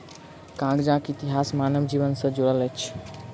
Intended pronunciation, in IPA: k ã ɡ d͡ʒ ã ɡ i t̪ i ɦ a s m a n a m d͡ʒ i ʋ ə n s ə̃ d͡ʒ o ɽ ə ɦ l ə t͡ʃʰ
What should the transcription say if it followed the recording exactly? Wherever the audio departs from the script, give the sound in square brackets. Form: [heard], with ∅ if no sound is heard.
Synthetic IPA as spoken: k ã ɡ d͡ʒ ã [k] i t̪ i ɦ a s m a n [ə] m d͡ʒ i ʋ ə n s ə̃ d͡ʒ o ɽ ə [∅] l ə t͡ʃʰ